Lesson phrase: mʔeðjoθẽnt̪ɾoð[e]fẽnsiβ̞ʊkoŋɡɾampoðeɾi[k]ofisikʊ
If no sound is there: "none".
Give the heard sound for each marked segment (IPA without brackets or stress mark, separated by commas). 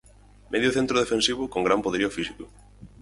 e, none